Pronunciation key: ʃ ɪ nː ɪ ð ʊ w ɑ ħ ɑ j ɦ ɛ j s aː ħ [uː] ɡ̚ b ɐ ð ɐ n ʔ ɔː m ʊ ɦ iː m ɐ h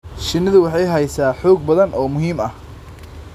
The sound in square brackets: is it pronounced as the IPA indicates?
no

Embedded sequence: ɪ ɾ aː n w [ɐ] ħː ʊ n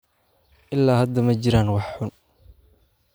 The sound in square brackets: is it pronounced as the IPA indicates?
no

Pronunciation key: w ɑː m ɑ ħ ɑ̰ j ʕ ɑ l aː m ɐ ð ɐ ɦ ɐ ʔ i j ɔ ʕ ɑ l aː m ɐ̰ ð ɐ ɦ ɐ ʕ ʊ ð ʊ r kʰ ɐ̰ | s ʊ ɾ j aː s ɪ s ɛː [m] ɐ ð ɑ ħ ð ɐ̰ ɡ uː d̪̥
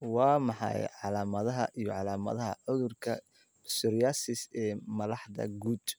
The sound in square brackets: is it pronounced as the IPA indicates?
yes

